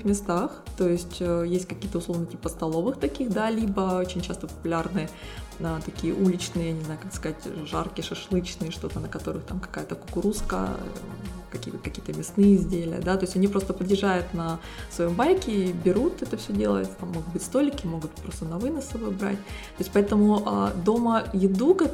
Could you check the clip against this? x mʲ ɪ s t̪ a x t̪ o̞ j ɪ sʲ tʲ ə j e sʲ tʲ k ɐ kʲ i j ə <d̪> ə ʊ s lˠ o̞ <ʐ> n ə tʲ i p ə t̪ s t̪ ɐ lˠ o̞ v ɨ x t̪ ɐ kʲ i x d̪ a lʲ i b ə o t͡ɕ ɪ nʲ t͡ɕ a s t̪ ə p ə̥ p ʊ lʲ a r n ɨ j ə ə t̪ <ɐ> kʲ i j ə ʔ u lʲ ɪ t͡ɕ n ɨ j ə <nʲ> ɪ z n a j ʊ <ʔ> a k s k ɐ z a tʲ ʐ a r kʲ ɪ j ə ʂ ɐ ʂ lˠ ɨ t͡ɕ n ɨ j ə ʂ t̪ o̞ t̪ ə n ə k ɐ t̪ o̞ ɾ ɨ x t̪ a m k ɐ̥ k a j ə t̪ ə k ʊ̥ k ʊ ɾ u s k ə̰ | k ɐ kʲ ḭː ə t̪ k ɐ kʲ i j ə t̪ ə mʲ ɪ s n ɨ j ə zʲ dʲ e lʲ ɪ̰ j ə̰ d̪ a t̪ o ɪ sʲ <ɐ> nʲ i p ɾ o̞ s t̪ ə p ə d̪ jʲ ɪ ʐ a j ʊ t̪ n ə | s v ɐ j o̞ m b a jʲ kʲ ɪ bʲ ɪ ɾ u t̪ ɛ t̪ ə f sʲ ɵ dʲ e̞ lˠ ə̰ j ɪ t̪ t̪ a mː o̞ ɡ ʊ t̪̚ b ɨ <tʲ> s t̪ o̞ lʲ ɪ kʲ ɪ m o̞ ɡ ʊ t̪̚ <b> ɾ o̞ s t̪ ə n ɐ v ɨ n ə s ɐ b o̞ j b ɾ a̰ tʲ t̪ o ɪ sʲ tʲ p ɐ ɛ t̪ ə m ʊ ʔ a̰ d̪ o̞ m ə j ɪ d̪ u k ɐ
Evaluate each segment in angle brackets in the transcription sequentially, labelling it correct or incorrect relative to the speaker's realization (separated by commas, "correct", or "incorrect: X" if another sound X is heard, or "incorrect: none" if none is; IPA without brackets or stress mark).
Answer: incorrect: t̪, incorrect: v, correct, correct, incorrect: k, correct, correct, incorrect: p